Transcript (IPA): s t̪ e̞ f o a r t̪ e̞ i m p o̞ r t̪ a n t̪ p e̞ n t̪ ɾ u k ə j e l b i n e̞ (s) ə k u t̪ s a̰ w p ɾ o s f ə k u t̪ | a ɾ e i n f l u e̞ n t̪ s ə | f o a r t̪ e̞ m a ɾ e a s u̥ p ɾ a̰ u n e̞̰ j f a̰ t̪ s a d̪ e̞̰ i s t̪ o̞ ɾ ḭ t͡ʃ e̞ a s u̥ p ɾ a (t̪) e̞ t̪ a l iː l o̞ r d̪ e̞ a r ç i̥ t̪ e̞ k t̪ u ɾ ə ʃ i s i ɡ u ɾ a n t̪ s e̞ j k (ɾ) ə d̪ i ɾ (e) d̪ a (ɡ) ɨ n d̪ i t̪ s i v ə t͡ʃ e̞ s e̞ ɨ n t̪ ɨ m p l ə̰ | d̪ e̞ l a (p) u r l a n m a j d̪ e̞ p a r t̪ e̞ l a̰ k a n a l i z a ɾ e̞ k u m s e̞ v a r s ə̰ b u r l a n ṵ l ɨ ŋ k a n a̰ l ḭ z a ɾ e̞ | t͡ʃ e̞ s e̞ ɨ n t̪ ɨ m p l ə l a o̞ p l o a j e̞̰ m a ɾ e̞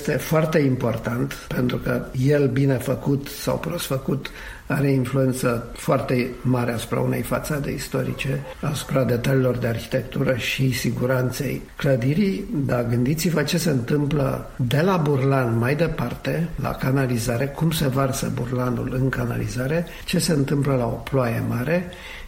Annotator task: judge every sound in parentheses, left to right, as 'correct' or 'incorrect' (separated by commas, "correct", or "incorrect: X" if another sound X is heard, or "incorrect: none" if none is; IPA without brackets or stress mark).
incorrect: f, incorrect: d̪, incorrect: l, incorrect: i, correct, incorrect: b